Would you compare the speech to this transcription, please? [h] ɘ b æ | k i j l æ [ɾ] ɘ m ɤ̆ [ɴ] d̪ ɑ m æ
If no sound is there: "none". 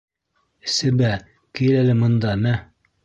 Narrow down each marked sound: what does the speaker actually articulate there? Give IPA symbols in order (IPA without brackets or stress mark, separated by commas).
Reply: s, l, n